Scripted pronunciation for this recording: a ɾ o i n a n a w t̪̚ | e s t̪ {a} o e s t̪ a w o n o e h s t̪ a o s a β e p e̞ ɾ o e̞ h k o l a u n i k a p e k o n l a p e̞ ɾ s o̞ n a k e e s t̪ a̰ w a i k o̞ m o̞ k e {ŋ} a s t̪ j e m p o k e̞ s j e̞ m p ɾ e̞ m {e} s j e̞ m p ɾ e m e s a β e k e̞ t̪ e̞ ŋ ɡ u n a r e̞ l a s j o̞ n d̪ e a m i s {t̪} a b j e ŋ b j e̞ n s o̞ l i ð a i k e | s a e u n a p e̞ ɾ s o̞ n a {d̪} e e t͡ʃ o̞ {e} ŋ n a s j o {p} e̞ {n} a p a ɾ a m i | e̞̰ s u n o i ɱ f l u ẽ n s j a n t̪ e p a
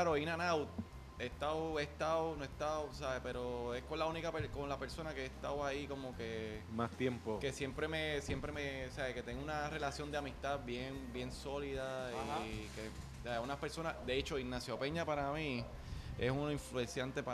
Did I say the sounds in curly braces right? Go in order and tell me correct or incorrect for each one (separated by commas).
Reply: correct, incorrect, correct, correct, correct, incorrect, correct, incorrect